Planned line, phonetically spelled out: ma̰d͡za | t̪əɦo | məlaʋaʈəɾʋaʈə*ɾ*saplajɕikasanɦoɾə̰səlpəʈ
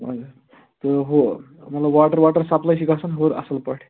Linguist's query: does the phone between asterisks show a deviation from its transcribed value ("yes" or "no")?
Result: no